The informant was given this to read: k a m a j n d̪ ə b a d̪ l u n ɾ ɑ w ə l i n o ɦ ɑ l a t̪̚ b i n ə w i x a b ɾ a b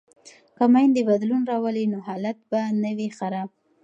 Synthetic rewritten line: k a m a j n d̪ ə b a d̪ l u n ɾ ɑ w ə l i n o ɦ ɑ l a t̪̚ b a n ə w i x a ɾ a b